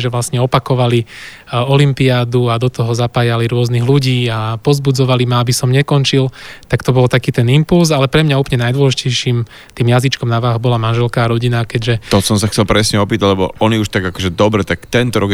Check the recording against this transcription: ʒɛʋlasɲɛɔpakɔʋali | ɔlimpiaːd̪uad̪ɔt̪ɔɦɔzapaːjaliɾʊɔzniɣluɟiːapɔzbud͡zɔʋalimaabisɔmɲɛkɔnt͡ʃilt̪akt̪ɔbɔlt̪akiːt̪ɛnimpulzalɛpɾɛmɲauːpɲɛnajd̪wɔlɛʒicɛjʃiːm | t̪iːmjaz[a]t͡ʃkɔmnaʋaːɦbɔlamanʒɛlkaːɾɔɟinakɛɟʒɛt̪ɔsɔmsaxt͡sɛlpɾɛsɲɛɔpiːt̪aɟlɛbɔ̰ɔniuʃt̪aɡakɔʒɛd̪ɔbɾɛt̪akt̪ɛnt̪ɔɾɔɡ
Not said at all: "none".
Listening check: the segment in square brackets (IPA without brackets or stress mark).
i